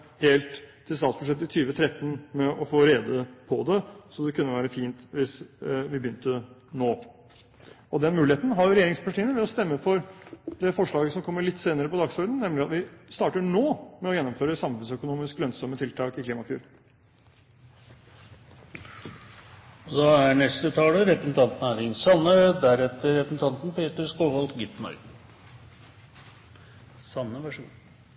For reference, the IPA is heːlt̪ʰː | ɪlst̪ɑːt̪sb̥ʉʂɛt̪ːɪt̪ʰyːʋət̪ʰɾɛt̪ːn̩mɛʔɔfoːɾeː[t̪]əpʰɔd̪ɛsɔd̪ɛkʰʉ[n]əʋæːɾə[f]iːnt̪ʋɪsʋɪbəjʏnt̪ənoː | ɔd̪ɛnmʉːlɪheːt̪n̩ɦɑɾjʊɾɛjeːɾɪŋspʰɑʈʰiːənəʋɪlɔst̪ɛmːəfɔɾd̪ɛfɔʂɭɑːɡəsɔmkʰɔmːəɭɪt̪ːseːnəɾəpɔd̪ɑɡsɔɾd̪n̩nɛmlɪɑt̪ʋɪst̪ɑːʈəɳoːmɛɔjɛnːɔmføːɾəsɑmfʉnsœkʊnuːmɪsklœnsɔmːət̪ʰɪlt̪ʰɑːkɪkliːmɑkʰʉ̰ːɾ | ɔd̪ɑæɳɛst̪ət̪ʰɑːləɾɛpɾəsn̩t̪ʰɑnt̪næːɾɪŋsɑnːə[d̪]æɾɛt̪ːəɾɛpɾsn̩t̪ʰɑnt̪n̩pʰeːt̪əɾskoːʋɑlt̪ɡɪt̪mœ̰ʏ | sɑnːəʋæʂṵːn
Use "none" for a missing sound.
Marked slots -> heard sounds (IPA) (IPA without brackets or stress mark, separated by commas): d̪, nː, f, d̪